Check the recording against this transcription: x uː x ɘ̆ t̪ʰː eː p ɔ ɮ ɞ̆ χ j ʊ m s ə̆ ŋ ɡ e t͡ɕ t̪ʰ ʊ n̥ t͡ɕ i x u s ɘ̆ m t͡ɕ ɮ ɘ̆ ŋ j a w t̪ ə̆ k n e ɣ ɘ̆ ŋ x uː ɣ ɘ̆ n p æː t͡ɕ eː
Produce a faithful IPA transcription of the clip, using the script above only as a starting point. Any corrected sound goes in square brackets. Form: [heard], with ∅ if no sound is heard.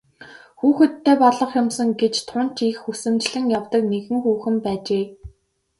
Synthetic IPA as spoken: x uː x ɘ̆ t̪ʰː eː p ɔ ɮ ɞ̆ χ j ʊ m s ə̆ ŋ ɡ e t͡ɕ t̪ʰ ʊ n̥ t͡ɕ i x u s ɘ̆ m t͡ɕ ɮ ɘ̆ ŋ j a w t̪ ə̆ k n e ɣ ɘ̆ ŋ x uː [x] ɘ̆ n p æː t͡ɕ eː